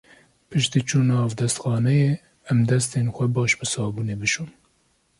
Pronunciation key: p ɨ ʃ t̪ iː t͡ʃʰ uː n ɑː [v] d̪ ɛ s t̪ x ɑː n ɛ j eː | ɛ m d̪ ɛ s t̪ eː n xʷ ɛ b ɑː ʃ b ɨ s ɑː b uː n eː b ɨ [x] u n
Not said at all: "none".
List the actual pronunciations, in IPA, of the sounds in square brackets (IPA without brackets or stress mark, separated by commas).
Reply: v, ʃ